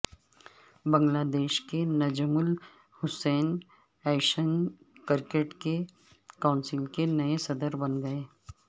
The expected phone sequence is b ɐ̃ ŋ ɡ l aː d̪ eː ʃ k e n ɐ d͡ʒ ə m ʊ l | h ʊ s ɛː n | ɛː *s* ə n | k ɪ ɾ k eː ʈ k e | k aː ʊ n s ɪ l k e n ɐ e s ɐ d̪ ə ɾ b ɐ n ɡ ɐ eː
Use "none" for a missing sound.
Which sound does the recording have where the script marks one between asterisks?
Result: ʃ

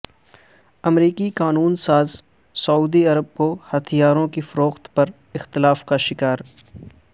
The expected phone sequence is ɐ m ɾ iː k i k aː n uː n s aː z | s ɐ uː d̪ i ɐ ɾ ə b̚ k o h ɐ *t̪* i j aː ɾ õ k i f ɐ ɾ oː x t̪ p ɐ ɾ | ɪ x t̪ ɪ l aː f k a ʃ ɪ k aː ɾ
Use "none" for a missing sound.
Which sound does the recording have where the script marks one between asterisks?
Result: t̪ʰ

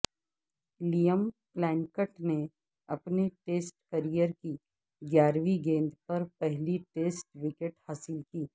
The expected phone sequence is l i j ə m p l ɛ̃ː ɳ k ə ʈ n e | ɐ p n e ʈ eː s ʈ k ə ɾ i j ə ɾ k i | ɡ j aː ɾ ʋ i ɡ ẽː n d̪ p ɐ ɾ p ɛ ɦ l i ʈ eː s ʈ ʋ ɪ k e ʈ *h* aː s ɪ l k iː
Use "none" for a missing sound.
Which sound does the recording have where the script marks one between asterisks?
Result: h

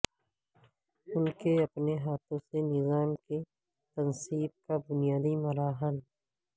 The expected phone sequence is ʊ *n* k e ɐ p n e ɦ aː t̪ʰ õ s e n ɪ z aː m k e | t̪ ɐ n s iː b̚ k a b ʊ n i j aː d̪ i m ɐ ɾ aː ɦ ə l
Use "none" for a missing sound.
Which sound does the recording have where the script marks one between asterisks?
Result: n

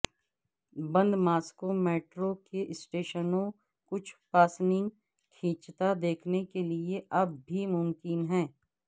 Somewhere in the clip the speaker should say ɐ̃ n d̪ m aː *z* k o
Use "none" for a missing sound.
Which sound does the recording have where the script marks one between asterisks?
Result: s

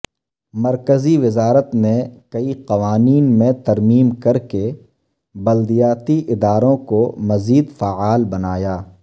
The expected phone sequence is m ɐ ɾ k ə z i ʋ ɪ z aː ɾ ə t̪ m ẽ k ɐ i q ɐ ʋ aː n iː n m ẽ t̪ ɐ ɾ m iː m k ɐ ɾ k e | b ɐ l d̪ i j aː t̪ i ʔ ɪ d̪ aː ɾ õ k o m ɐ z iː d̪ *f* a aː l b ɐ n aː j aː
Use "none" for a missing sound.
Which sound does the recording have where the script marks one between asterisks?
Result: f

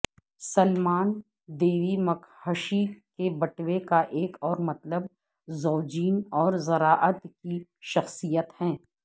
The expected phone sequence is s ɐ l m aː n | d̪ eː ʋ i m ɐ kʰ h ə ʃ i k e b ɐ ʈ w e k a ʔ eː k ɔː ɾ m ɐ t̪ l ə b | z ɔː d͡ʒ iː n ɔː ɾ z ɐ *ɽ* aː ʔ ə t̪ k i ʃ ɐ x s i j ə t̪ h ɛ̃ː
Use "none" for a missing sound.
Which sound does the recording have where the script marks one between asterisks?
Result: ɾ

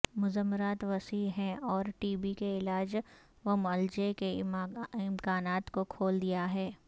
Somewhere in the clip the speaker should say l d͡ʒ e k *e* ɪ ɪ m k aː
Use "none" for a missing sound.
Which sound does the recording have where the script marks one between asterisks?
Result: e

